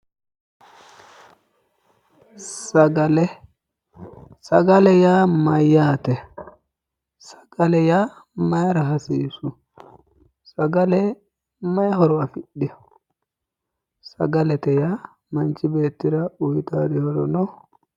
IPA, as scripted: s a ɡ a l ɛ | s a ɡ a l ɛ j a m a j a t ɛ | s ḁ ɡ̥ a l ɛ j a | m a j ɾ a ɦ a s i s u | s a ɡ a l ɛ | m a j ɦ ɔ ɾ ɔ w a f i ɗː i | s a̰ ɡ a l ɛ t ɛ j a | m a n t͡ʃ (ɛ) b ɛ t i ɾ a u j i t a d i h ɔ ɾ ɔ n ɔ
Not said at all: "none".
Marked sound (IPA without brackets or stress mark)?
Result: i